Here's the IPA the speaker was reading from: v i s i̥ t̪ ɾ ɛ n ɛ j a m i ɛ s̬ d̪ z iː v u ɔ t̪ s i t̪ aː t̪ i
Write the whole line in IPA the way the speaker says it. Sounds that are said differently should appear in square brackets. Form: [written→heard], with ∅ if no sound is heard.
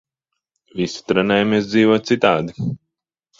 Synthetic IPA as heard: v i s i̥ t̪ ɾ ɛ n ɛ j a m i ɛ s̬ d̪ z iː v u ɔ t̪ s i t̪ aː [t̪→d̪] i

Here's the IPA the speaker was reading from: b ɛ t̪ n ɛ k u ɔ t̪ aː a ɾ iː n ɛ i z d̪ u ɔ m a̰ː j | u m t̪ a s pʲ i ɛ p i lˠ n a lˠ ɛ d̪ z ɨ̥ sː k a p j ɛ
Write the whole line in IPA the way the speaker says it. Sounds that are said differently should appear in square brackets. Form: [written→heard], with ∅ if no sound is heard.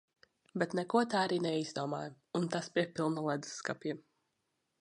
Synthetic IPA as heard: b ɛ t̪ n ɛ k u ɔ t̪ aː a ɾ iː n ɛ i z d̪ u ɔ m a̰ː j | u [m→n] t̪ a s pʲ i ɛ p i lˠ n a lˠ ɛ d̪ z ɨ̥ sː k a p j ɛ

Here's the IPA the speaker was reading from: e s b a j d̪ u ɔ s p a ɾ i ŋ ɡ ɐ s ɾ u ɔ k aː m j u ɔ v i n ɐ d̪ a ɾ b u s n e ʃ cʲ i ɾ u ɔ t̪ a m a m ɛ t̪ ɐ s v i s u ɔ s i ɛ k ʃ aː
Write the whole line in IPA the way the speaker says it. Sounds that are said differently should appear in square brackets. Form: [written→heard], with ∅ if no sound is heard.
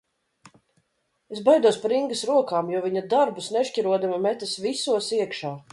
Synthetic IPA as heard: e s b a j d̪ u ɔ s p a ɾ i ŋ ɡ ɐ s ɾ u ɔ k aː m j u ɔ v i [n→ɲ] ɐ d̪ a ɾ b u s n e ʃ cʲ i ɾ u ɔ [t̪→d̪] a m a m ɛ t̪ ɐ s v i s u ɔ s i ɛ k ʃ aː

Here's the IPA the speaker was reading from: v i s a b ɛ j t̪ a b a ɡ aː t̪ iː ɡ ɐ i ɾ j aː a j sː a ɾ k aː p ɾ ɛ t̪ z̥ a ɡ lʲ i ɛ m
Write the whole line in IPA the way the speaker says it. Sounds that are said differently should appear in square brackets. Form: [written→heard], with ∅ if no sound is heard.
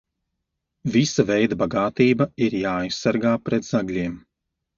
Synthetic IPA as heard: v i s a [b→v] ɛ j [t̪→d̪] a b a ɡ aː t̪ iː [ɡ→b] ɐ i ɾ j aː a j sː a ɾ [k→ɡ] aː p ɾ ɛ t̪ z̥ a ɡ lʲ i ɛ m

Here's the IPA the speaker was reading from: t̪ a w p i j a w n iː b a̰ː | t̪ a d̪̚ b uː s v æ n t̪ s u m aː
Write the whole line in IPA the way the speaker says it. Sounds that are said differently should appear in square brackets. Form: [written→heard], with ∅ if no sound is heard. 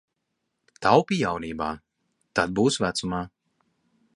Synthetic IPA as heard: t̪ a w p i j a w n iː b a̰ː | t̪ a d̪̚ b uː s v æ [n→∅] t̪ s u m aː

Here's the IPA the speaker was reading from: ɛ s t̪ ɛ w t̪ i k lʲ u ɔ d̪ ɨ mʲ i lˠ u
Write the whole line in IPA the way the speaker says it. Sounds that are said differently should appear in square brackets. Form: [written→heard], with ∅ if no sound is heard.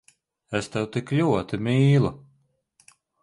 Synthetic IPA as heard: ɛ s t̪ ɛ w t̪ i k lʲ u ɔ [d̪→t̪] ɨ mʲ [i→iː] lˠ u

